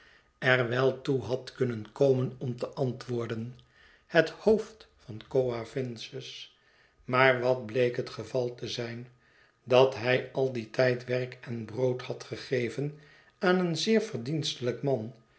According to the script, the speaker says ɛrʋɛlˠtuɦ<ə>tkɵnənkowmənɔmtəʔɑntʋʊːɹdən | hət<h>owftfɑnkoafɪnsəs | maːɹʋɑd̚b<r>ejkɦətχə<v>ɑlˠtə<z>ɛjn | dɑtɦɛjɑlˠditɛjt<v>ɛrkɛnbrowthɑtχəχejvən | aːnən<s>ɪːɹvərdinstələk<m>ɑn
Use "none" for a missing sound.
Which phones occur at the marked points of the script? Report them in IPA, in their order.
ɑ, h, l, v, z, ʋ, z, m

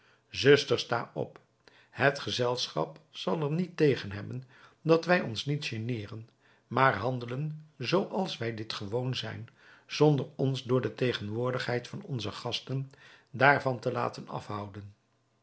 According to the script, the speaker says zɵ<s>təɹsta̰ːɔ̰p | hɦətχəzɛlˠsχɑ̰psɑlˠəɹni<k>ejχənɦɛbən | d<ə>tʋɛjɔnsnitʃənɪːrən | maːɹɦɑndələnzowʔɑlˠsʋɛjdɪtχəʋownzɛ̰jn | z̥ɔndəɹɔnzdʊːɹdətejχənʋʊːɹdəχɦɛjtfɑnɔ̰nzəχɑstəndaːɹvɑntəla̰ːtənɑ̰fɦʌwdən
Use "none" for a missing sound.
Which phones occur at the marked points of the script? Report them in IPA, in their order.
s, t, ɑ

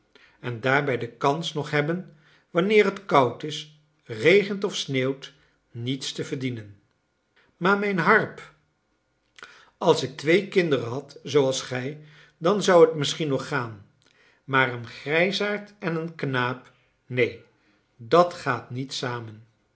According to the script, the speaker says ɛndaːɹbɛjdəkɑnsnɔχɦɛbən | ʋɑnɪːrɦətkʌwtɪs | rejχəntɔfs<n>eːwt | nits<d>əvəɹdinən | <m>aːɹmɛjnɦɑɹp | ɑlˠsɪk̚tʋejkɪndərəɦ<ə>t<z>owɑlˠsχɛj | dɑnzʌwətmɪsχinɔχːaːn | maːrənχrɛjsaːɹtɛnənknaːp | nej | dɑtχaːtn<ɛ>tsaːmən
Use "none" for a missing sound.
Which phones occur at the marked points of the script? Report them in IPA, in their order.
n, t, m, ɑ, z, i

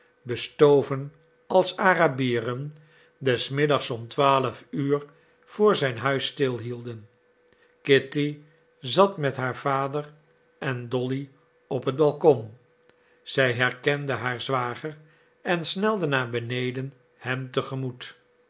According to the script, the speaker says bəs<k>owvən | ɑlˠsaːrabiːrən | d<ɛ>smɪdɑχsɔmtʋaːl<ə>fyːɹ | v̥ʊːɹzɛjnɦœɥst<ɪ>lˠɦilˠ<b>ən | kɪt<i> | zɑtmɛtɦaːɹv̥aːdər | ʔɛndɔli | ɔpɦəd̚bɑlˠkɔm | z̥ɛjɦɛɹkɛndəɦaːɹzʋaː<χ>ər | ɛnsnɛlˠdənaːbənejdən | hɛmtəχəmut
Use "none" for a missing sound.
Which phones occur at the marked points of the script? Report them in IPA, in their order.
t, ɛ, ə, ɪ, d, i, χ

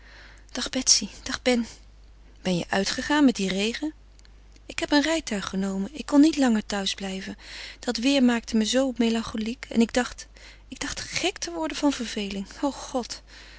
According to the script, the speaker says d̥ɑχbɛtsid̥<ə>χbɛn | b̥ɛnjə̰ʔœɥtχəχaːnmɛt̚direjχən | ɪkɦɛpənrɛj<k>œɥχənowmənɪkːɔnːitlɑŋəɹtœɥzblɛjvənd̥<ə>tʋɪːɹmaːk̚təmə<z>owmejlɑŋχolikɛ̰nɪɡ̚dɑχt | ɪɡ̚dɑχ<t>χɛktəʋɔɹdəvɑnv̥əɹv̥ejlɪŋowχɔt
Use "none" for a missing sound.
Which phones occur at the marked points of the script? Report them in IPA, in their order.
ɑ, t, ɑ, z, t

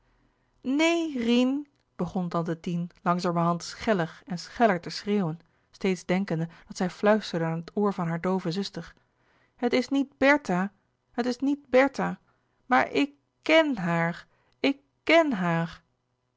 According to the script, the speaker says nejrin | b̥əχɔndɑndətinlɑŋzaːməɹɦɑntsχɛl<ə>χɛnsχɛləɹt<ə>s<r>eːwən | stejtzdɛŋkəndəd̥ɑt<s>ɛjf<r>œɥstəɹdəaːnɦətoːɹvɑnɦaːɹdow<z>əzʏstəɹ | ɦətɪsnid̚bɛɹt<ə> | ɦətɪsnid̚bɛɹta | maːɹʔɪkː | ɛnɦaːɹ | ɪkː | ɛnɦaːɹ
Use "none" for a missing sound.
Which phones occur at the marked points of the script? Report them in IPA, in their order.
ə, ə, r, s, l, v, a

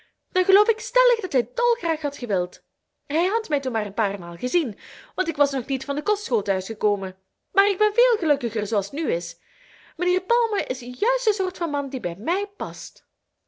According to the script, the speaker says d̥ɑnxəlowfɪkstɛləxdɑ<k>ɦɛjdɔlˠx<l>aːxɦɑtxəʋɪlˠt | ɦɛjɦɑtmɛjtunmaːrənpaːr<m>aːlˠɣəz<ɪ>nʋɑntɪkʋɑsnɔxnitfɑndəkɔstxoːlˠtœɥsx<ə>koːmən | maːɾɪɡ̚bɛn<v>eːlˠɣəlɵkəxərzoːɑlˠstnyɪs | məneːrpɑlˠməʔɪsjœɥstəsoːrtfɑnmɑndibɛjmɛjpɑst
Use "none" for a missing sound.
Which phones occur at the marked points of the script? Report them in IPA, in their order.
t, r, m, i, ə, v

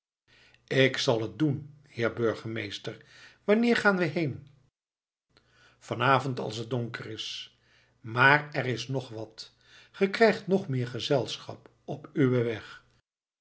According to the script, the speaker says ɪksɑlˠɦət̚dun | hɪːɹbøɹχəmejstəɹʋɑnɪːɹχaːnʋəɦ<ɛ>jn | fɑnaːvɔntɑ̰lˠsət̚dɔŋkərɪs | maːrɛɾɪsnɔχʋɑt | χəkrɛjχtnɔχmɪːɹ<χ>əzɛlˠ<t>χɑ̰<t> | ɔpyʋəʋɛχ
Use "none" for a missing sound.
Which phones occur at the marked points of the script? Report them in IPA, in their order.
e, χ, s, p

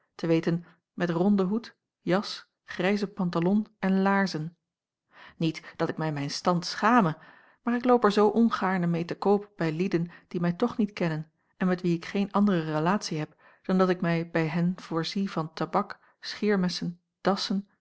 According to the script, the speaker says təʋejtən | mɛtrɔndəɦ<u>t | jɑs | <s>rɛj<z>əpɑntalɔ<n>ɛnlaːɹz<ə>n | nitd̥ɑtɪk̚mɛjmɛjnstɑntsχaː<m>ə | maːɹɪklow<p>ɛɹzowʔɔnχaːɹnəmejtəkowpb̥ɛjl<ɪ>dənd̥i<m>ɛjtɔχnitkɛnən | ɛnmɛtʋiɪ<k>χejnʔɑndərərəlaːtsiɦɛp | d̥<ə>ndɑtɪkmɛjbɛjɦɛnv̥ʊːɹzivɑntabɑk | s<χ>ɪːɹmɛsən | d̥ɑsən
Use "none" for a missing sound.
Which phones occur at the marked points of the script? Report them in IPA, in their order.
u, χ, z, n, ə, m, p, i, m, k, ɑ, χ

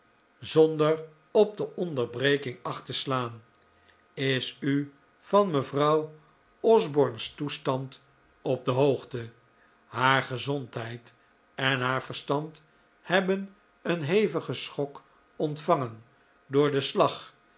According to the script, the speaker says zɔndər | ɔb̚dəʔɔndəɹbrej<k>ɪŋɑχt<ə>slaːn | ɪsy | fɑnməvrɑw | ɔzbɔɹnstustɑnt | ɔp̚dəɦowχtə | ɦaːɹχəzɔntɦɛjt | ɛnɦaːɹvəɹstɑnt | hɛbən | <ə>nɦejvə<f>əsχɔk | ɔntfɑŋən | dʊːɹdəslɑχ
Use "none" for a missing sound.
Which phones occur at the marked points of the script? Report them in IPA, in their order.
k, ə, ə, χ

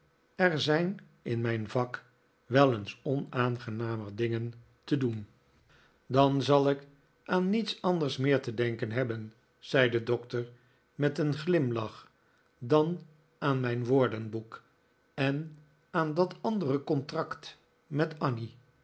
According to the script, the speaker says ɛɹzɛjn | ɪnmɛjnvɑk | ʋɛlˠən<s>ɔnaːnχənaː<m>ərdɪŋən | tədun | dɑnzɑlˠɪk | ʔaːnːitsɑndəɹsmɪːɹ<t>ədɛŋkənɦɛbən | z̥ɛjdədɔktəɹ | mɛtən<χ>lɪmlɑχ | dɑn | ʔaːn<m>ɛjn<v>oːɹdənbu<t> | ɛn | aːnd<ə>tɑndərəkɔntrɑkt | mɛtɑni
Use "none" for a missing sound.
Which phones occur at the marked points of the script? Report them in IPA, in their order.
s, m, t, χ, m, ʋ, k, ɑ

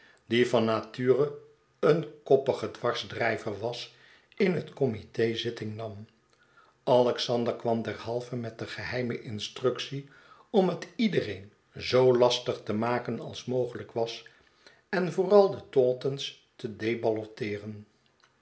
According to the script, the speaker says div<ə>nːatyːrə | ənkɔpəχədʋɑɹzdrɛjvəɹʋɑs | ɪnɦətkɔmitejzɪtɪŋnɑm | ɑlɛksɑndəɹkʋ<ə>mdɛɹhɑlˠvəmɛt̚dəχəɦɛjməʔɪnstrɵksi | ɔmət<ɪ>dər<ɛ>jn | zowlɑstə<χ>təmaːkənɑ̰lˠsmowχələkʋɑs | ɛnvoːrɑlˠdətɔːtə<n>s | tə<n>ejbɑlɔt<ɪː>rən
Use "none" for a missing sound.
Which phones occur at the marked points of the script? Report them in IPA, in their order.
ɑ, ɑ, i, e, χ, n, d, ɪː

